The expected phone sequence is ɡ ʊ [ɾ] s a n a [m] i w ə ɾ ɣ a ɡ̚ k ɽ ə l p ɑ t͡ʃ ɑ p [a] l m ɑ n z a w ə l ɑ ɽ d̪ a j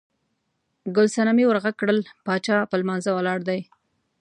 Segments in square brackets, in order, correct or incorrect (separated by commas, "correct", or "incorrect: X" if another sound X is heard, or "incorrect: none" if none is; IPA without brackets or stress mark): incorrect: l, correct, incorrect: ə